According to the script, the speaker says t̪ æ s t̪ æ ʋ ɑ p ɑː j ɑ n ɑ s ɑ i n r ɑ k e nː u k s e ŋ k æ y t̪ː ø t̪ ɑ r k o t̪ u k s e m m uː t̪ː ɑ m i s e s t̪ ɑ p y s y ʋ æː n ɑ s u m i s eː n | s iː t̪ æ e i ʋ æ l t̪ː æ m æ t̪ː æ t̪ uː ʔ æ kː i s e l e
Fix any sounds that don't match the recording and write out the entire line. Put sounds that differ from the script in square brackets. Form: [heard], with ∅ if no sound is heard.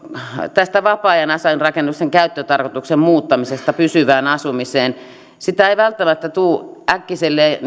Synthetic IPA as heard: t̪ æ s t̪ æ ʋ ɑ p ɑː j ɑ n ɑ s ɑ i n r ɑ k e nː u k s e ŋ k æ y t̪ː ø t̪ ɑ r k o t̪ u k s e m m uː t̪ː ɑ m i s e s t̪ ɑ p y s y ʋ æː n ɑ s u m i s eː n | s [i] t̪ æ e i ʋ æ l t̪ː æ m æ t̪ː æ t̪ uː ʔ æ kː i s e [lː] e